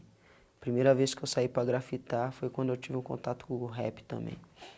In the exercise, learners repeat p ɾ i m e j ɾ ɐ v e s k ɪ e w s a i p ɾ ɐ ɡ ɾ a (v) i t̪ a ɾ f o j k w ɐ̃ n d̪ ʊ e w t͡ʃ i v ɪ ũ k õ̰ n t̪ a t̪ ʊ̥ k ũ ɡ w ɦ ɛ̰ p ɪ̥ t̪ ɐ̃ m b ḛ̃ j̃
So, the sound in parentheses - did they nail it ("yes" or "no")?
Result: no